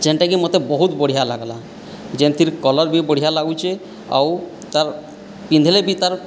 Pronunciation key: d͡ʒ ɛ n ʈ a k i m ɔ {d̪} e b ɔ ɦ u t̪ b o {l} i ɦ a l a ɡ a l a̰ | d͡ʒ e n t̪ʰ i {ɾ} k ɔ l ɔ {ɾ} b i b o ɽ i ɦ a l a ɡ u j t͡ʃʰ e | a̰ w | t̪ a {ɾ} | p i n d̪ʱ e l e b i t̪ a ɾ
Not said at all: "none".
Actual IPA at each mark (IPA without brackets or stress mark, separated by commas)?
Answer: t̪, ɽ, ɾ, ɾ, ɾ